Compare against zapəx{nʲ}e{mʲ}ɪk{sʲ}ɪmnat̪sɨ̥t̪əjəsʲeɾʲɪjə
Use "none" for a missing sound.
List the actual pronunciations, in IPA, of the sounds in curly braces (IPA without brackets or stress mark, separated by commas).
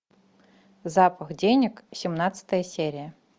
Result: dʲ, nʲ, sʲ